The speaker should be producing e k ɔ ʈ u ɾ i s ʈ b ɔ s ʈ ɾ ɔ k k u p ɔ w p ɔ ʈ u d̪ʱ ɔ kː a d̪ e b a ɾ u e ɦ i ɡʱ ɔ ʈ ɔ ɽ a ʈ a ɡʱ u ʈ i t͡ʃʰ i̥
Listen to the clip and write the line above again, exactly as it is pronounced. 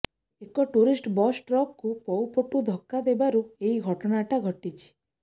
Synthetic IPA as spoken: e k ɔ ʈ u ɾ i s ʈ b ɔ s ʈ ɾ ɔ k k u p ɔ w p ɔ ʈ u d̪ʱ ɔ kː a d̪ e b a ɾ u e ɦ i ɡʱ ɔ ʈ ɔ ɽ a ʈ a ɡʱ ɔ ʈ i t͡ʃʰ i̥

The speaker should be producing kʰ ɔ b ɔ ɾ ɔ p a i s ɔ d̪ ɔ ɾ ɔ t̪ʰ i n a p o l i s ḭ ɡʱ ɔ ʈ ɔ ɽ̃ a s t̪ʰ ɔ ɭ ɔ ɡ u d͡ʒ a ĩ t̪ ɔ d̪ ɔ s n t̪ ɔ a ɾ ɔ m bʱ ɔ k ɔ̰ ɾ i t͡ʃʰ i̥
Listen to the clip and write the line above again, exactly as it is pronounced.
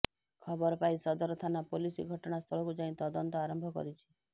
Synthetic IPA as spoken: kʰ ɔ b ɔ ɾ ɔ p a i s ɔ d̪ ɔ ɾ ɔ t̪ʰ a n a p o l i s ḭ ɡʱ ɔ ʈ ɔ ɽ̃ a s t̪ʰ ɔ ɭ ɔ k u d͡ʒ a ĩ t̪ ɔ d̪ ɔ n t̪ ɔ a ɾ ɔ m bʱ ɔ k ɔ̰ ɾ i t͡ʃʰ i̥

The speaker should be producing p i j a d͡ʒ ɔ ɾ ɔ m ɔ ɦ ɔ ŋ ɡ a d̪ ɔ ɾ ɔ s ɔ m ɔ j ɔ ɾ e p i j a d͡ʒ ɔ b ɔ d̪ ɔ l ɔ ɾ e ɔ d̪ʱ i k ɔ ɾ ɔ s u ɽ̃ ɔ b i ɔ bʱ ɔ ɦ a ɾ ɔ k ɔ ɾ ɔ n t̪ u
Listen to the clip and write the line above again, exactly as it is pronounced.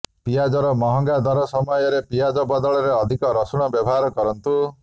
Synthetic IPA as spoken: p i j a d͡ʒ ɔ ɾ ɔ m ɔ ɦ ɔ ŋ ɡ a d̪ ɔ ɾ ɔ s ɔ m ɔ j ɔ ɾ e p i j a d͡ʒ ɔ b ɔ d̪ ɔ ɭ ɔ ɾ e ɔ d̪ʱ i k ɔ ɾ ɔ s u ɽ̃ ɔ b j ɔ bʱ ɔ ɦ a ɾ ɔ k ɔ ɾ ɔ n t̪ u

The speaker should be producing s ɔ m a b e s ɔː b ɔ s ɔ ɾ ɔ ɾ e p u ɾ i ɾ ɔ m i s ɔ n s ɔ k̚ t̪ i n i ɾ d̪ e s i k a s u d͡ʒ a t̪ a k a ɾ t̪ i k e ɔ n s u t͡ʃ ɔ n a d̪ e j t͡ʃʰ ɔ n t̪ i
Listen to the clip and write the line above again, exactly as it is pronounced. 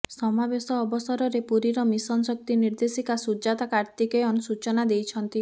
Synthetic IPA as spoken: s ɔ m a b e s ɔː b ɔ s ɔ ɾ ɔ ɾ e p u ɾ i ɾ ɔ m i s ɔ n s ɔ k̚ t̪ i n i ɾ d̪ e s i k a s u d͡ʒ a t̪ a k a ɾ t̪ i k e ɔ n s u t͡ʃ ɔ n a d̪ e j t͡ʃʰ ɔ n t̪ i

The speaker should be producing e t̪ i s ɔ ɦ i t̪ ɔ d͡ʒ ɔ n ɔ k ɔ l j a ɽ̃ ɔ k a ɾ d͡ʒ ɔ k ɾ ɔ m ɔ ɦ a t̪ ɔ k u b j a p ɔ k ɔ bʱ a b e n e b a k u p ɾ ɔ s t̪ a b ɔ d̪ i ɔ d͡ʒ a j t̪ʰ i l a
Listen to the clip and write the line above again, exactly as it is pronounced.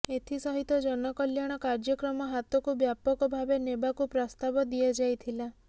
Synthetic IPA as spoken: e t̪ʰ i s ɔ ɦ i t̪ ɔ d͡ʒ ɔ n ɔ k ɔ l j a ɽ̃ ɔ k a ɾ d͡ʒ ɔ k ɾ ɔ m ɔ ɦ a t̪ ɔ k u b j a p ɔ k ɔ bʱ a b e n e b a k u p ɾ ɔ s t̪ a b ɔ d̪ i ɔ d͡ʒ a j t̪ʰ i l a

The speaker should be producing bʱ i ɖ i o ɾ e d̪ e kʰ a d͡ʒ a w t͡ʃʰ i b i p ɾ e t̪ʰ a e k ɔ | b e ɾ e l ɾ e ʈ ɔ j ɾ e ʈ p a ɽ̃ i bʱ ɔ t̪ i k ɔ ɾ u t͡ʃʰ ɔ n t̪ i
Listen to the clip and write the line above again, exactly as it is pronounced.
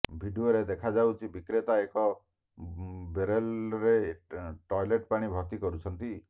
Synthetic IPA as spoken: bʱ i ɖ i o ɾ e d̪ e kʰ a d͡ʒ a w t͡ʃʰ i b i k ɾ e t̪ a e k ɔ | b e ɾ e l ɾ e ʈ ɔ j l e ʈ p a ɽ̃ i bʱ ɔ t̪ i k ɔ ɾ u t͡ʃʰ ɔ n t̪ i

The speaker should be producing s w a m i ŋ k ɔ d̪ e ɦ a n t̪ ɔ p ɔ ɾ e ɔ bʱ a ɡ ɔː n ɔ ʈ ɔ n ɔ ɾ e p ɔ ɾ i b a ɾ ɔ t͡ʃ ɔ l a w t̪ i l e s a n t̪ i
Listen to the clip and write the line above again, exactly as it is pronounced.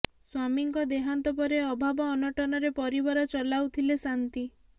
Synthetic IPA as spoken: s w a m i ŋ k ɔ d̪ e ɦ a n t̪ ɔ p ɔ ɾ e ɔ bʱ a b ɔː n ɔ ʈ ɔ n ɔ ɾ e p ɔ ɾ i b a ɾ ɔ t͡ʃ ɔ l a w t̪ʰ i l e s a n t̪ i

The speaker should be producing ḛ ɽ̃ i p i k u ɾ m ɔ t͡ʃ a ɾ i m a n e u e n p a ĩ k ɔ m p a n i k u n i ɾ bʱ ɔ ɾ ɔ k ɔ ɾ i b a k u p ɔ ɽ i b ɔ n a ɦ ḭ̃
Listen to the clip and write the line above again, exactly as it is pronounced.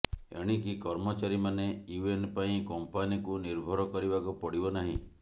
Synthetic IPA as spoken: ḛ ɽ̃ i k i k ɔ ɾ m ɔ t͡ʃ a ɾ i m a n e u e n p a ĩ k ɔ m p a n i k u n i ɾ bʱ ɔ ɾ ɔ k ɔ ɾ i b a k u p ɔ ɽ i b ɔ n a ɦ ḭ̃

